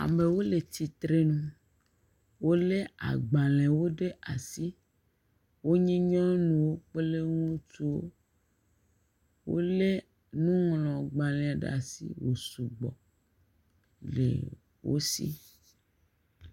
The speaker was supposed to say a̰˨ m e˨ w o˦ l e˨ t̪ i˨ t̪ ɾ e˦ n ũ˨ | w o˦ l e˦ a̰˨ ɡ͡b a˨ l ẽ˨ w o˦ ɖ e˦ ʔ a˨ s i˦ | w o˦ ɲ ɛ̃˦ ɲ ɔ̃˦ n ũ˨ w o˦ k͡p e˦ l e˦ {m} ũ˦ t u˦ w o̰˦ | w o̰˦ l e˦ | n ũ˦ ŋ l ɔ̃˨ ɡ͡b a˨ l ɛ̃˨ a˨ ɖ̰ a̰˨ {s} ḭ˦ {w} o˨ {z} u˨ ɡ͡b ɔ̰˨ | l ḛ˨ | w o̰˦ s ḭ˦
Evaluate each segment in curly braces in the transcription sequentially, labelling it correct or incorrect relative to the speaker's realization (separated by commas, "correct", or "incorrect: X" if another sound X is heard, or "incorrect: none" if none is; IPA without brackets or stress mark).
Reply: incorrect: ŋ, correct, correct, incorrect: s